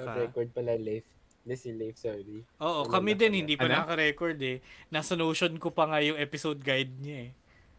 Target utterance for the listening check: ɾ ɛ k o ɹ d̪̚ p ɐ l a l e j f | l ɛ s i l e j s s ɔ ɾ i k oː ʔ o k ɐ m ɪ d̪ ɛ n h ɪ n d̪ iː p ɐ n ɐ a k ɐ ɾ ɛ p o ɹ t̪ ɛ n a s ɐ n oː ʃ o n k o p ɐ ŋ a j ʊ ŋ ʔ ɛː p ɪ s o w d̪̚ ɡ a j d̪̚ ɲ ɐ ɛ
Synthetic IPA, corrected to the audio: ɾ ɛ k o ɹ d̪̚ p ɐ l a l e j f | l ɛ s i l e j f s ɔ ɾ i ʔ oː ʔ o k ɐ m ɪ d̪ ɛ n h ɪ n d̪ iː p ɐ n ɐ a k ɐ ɾ ɛ k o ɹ d̪ ɛ n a s ɐ n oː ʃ o n k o p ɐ ŋ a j ʊ ŋ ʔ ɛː p ɪ s o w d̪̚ ɡ a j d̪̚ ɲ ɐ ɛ